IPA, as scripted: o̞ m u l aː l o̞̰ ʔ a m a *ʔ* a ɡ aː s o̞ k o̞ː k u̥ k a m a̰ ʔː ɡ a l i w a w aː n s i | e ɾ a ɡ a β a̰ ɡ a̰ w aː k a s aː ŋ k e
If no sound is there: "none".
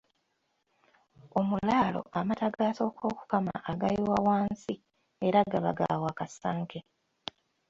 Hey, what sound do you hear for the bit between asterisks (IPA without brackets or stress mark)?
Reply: t